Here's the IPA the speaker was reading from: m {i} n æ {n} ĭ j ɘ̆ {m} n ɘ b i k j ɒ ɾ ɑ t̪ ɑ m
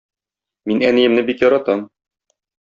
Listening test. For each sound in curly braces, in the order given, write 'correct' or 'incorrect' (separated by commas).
correct, correct, correct